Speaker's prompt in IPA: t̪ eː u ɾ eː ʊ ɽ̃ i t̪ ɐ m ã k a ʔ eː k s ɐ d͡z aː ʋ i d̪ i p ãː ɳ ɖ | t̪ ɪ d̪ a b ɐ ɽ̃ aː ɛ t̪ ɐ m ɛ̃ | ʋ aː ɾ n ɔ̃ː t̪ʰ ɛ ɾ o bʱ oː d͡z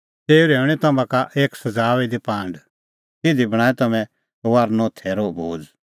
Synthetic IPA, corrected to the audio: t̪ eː u ɾ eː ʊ ɽ̃ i t̪ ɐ m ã k a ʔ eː k s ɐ d͡z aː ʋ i d̪ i p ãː ɳ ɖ | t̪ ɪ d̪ i b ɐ ɽ̃ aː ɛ t̪ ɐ m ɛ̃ | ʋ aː ɾ n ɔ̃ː t̪ʰ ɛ ɾ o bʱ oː d͡z